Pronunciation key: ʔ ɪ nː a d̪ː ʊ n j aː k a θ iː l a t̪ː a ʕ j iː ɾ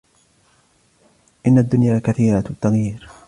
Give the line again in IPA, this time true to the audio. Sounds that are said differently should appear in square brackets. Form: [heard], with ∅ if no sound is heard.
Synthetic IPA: ʔ ɪ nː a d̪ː ʊ n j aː k a θ iː [ɾ] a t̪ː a [ɣ] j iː ɾ